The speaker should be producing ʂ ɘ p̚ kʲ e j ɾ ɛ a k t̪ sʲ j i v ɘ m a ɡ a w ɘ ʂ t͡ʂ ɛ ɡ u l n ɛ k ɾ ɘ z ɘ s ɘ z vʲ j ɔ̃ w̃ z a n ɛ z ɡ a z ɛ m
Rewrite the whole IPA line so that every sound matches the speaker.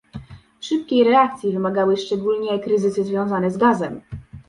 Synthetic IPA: ʂ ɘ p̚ kʲ e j ɾ ɛ a k t̪ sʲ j i v ɘ m a ɡ a w ɘ ʂ t͡ʂ ɛ ɡ u l ɲ ɛ k ɾ ɘ z ɘ s ɘ z vʲ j ɔ̃ w̃ z a n ɛ z ɡ a z ɛ m

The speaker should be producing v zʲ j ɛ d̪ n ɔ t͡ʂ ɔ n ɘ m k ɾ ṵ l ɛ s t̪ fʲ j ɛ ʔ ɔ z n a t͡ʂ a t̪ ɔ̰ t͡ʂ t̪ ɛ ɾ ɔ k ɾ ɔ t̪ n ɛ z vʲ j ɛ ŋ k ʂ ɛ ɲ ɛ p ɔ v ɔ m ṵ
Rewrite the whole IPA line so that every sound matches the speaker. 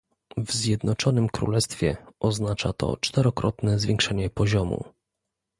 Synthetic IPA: v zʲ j ɛ d̪ n ɔ t͡ʂ ɔ n ɘ m k ɾ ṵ l ɛ s t̪ fʲ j ɛ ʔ ɔ z n a t͡ʂ a t̪ ɔ̰ t͡ʂ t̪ ɛ ɾ ɔ k ɾ ɔ t̪ n ɛ z vʲ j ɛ ŋ k ʂ ɛ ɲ ɛ p ɔ ʑ ɔ m ṵ

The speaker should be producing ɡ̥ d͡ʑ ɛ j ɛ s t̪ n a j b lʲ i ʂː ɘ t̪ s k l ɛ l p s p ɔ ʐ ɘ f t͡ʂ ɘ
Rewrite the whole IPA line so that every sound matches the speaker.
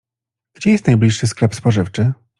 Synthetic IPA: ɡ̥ d͡ʑ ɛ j ɛ s t̪ n a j b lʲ i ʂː ɘ s k l ɛ p s p ɔ ʐ ɘ f t͡ʂ ɘ

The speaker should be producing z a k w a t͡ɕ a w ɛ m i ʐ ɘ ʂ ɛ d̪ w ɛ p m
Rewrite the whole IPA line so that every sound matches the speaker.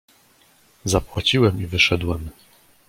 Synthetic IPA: z a p w a t͡ɕ i w ɛ m i v ɘ ʂ ɛ d̪ w ɛ m

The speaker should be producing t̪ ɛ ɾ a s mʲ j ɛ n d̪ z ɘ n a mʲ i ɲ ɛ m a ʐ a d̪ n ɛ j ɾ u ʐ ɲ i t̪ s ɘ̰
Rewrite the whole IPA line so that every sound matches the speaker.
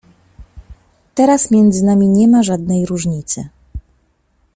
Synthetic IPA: t̪ ɛ ɾ a s mʲ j ɛ n d̪ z ɘ n a mʲ i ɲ ɛ m a ʐ a d̪ n ɛ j ɾ u ʐ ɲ i t̪ s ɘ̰

